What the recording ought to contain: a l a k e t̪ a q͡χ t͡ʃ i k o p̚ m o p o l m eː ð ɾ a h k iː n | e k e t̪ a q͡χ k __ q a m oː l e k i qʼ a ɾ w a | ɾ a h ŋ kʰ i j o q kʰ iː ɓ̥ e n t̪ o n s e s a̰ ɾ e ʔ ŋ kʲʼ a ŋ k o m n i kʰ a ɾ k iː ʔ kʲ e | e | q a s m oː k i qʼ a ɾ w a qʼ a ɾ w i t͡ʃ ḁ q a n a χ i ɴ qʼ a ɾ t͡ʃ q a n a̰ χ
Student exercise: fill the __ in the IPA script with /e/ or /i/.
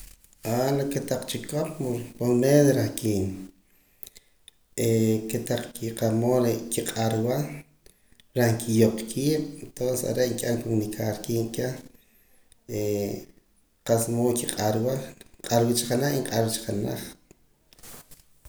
i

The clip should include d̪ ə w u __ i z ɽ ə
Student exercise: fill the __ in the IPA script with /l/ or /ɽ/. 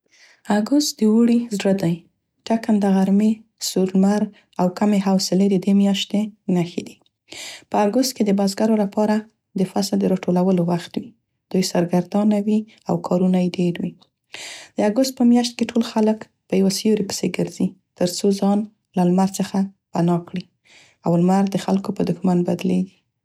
ɽ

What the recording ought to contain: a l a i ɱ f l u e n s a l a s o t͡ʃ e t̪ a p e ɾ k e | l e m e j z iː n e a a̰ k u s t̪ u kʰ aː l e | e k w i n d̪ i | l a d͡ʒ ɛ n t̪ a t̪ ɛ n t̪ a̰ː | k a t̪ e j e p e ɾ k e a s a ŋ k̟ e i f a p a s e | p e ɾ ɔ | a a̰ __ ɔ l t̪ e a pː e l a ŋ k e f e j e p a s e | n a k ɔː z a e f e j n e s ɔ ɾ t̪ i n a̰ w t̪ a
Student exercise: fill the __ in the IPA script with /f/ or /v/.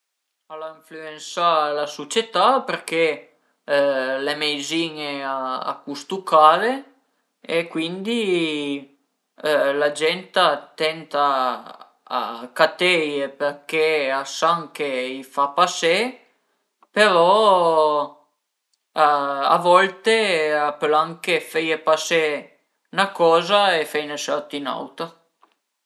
v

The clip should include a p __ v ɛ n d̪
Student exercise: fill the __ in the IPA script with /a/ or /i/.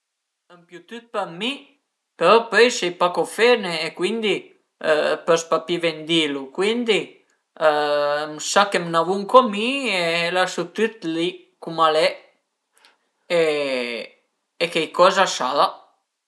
i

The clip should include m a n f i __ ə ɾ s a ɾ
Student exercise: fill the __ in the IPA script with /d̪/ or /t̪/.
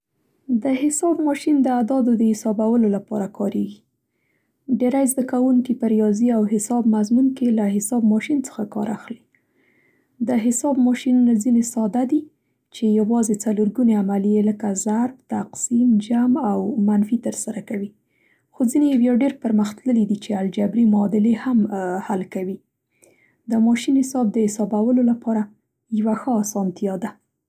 t̪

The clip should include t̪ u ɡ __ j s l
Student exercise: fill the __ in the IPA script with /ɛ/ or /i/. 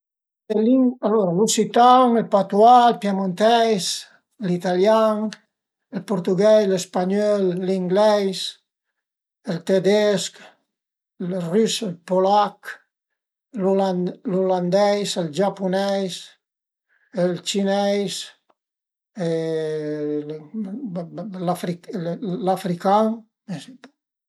ɛ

